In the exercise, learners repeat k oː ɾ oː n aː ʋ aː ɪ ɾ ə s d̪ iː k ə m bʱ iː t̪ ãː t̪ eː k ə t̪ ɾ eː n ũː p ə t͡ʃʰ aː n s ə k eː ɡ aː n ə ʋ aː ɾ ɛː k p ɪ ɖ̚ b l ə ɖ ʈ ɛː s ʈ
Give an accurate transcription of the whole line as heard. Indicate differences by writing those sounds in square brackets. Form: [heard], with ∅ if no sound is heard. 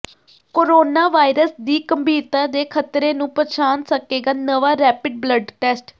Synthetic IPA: k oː ɾ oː n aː ʋ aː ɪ ɾ ə s d̪ iː k ə m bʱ iː t̪ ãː [d̪] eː [kʰ] ə t̪ ɾ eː n ũː p ə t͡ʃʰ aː n s ə k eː ɡ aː n ə ʋ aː ɾ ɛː [∅] p ɪ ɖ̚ b l ə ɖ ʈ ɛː s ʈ